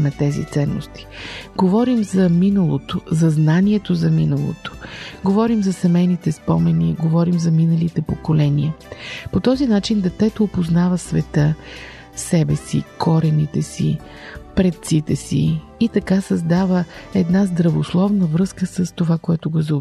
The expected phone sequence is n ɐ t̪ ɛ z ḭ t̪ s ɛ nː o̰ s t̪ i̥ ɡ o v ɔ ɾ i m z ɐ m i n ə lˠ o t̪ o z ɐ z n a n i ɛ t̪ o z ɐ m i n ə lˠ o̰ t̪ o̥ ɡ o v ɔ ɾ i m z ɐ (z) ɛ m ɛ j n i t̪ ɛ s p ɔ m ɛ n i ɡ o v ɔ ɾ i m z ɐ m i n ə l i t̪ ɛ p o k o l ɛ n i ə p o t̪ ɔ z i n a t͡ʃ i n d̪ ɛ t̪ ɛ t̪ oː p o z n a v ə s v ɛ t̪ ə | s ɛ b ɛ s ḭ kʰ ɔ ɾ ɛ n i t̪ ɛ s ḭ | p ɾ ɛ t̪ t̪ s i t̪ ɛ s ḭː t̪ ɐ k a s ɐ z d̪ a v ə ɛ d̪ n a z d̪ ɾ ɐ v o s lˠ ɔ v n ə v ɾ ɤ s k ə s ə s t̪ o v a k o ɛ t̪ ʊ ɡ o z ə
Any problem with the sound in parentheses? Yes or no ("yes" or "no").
yes